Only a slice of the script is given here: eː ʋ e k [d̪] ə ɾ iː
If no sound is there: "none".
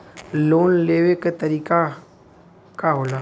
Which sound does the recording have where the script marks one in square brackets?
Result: t̪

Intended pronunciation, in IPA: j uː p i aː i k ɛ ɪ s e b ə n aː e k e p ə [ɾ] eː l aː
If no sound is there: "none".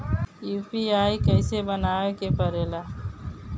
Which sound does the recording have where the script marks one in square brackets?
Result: ɾ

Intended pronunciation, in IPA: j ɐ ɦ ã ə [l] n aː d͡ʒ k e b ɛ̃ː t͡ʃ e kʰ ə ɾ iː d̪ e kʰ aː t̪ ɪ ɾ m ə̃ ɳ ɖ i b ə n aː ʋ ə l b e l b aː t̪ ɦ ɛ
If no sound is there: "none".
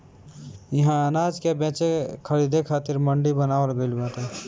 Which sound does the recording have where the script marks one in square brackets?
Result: none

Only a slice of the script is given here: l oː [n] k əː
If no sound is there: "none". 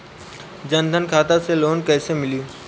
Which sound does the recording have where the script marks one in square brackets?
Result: n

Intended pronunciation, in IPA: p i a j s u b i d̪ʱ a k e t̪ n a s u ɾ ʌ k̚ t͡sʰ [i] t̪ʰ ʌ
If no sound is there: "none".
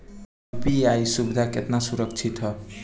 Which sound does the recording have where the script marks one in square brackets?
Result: i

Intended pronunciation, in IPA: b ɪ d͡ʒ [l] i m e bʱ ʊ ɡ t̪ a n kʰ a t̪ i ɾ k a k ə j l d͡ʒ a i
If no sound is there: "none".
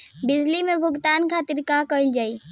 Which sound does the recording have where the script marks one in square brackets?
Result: l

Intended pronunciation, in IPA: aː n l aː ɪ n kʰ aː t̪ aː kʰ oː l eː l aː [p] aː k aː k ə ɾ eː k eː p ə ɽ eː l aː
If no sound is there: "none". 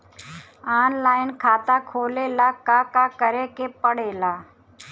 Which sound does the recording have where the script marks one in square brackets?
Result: k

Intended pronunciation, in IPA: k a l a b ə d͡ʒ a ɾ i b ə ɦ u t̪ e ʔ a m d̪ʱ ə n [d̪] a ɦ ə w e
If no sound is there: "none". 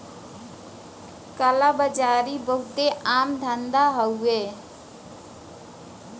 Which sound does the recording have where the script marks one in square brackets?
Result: d̪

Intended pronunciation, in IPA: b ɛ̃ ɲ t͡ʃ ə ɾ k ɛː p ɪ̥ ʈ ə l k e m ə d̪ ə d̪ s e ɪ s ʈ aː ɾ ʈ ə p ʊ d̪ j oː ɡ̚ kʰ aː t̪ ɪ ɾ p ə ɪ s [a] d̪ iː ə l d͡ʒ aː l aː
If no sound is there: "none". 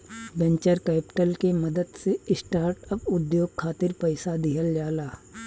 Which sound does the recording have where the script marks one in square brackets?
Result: a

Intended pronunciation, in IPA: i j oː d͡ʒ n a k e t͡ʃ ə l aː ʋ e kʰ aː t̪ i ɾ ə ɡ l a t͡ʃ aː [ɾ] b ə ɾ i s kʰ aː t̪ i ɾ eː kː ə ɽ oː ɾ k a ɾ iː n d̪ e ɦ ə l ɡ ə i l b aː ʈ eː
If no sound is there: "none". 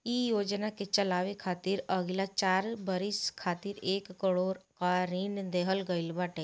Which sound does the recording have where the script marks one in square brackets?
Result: ɾ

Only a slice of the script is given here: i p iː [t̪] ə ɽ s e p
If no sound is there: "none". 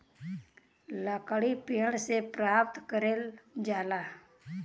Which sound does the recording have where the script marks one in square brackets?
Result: none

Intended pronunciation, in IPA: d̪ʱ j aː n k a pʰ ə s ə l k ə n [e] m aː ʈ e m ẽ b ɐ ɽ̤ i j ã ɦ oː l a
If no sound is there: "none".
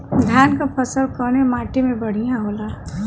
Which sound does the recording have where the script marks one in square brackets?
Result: e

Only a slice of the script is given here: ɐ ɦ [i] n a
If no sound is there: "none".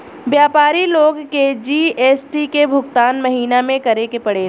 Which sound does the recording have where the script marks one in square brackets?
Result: iː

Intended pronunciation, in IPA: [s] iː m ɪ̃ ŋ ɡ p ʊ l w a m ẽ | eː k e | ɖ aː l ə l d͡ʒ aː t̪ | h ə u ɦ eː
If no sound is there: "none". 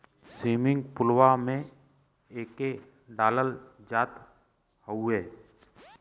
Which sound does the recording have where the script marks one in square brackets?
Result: s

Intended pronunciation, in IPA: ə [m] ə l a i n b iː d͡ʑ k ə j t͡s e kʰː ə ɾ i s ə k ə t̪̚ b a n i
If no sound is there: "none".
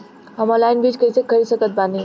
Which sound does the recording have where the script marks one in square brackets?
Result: m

